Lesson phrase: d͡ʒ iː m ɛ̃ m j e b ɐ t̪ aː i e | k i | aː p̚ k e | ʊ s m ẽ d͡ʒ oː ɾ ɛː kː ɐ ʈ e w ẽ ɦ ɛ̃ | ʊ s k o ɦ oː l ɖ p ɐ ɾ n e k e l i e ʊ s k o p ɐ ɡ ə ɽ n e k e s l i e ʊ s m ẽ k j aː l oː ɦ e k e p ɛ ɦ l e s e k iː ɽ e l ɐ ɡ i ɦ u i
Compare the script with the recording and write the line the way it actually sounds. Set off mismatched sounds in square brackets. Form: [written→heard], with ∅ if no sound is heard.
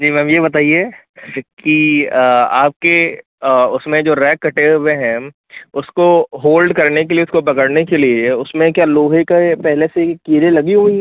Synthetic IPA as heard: d͡ʒ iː m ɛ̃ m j e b ɐ t̪ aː i e | k i | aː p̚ k e | ʊ s m ẽ d͡ʒ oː ɾ ɛː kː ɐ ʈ e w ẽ ɦ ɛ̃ | ʊ s k o ɦ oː l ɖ [p→k] ɐ ɾ n e k e l i e ʊ s k o p ɐ [ɡ→k] ə ɽ n e k e [s→∅] l i e ʊ s m ẽ k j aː l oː ɦ e k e p ɛ ɦ l e s e k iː [ɽ→ɾ] e l ɐ ɡ i ɦ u i